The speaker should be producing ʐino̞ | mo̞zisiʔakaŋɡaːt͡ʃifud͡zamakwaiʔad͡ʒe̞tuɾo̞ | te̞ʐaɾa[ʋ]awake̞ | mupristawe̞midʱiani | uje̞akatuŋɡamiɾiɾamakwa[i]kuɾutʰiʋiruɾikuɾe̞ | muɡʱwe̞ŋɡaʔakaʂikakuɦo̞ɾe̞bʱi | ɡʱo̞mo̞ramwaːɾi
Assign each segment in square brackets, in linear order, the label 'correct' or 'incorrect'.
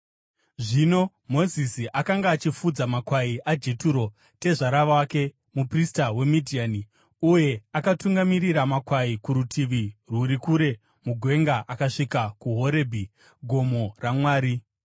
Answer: correct, correct

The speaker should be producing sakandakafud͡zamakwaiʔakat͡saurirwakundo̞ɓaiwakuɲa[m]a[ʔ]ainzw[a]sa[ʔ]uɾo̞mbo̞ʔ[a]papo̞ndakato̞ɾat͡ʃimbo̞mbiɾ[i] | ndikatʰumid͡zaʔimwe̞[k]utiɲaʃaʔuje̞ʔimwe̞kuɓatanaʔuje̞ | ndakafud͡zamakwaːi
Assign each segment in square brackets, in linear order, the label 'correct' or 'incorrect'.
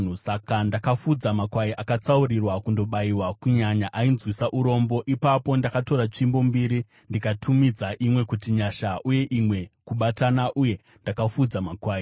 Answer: incorrect, correct, incorrect, correct, incorrect, correct, correct

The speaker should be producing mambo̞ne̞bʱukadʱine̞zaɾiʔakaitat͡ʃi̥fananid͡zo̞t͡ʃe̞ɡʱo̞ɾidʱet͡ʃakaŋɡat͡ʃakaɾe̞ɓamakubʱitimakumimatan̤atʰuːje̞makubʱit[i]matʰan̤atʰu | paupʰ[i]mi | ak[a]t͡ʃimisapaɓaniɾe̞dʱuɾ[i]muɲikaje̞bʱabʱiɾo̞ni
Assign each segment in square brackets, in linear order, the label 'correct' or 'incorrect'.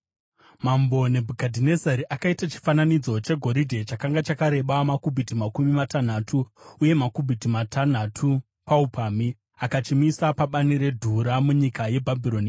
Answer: correct, incorrect, correct, incorrect

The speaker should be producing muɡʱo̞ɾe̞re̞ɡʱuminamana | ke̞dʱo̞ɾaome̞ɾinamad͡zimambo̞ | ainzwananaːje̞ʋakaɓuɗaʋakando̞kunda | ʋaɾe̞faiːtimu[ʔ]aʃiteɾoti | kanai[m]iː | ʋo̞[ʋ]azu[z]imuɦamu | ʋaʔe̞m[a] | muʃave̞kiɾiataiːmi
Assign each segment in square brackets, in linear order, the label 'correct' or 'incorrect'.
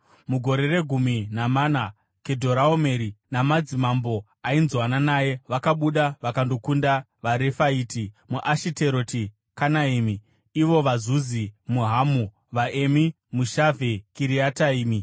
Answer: correct, correct, correct, correct, incorrect

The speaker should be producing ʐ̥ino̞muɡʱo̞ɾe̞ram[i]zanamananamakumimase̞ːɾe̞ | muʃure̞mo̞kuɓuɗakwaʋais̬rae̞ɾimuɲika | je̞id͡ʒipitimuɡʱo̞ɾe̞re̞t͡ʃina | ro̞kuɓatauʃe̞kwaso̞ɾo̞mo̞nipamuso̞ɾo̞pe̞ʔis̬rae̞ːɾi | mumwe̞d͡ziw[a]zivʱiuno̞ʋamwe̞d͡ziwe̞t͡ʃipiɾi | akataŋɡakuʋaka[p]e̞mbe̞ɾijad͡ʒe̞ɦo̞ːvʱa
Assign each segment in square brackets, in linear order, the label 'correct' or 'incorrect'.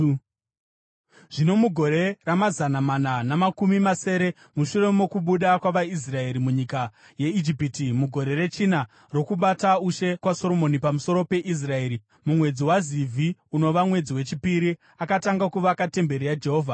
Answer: incorrect, correct, incorrect

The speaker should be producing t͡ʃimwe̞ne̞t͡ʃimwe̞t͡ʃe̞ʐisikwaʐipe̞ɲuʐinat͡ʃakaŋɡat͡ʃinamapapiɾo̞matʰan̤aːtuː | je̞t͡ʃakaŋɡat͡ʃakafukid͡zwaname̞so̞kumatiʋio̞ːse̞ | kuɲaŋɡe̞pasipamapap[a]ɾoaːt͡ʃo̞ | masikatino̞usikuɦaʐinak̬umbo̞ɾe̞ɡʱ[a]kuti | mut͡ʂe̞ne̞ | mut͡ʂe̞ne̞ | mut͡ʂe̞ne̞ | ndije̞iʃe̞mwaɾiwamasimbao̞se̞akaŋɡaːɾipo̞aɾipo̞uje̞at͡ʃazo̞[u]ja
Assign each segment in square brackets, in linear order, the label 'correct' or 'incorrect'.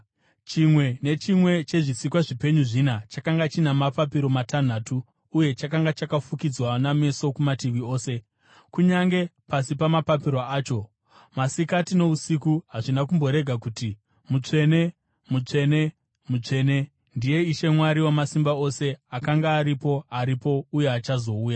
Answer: incorrect, correct, incorrect

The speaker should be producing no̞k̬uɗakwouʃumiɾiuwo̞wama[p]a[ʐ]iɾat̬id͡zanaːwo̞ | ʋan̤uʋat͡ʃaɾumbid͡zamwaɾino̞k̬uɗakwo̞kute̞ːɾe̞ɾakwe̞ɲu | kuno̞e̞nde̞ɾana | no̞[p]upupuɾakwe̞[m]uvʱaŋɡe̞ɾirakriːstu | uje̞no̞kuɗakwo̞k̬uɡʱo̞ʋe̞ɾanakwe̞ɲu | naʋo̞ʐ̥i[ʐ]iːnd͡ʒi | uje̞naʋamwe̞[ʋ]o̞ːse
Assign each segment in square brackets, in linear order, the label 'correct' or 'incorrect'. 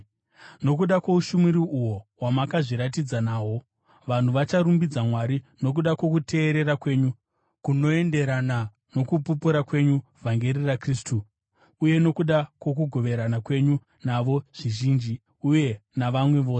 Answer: incorrect, correct, incorrect, incorrect, incorrect, correct

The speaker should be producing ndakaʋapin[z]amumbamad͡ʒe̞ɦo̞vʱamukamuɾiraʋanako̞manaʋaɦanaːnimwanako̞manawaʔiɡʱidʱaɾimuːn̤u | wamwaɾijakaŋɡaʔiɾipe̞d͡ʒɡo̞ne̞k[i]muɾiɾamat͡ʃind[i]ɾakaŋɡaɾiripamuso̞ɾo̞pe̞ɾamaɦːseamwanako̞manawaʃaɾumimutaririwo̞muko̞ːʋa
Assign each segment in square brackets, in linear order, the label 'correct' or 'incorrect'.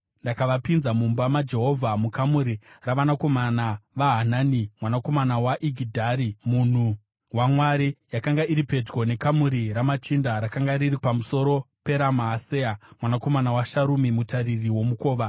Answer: correct, incorrect, incorrect

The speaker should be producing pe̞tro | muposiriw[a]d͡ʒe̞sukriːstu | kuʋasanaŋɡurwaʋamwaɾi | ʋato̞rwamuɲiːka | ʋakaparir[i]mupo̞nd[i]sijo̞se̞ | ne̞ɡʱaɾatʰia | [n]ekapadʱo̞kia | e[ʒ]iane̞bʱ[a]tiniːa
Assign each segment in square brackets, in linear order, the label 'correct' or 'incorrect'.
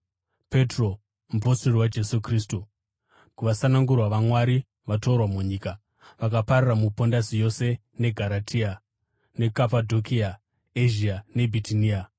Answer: correct, incorrect, incorrect, correct, correct, incorrect

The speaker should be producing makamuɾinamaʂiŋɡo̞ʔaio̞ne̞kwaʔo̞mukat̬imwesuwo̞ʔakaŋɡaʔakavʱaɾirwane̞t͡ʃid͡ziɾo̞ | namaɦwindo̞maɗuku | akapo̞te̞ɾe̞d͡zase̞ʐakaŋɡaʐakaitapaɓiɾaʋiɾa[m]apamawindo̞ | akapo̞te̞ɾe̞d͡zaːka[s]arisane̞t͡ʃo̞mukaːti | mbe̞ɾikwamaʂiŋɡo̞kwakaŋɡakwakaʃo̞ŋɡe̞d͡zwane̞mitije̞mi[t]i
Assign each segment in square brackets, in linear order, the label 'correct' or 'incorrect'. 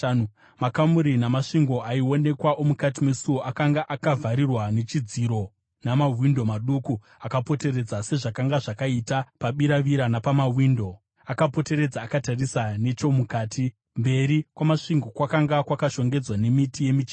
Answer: incorrect, incorrect, incorrect

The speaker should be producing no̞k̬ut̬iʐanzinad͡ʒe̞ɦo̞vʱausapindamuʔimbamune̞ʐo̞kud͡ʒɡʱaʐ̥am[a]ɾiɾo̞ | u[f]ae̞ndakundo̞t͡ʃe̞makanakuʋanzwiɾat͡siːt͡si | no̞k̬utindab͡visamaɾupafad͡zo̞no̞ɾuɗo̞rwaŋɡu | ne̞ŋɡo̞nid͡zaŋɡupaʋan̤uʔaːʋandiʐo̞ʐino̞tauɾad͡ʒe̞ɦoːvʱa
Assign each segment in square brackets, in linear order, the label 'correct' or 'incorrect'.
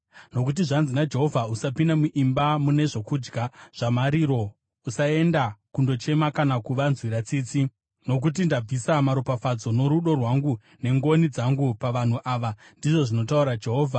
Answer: correct, incorrect

